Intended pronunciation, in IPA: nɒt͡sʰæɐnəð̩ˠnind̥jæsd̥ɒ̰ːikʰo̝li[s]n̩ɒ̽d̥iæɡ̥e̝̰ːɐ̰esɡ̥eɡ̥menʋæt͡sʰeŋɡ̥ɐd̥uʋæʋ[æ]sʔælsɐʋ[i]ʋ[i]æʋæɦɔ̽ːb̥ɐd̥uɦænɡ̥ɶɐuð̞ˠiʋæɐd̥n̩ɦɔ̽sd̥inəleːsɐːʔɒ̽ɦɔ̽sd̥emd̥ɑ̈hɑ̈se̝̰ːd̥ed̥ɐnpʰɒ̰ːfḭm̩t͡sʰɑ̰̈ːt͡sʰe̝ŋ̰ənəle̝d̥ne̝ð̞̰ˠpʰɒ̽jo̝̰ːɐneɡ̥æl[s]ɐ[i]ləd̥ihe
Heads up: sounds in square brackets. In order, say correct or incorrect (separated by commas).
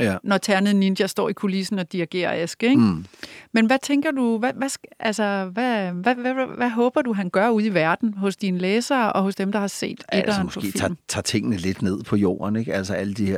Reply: correct, correct, incorrect, incorrect, correct, incorrect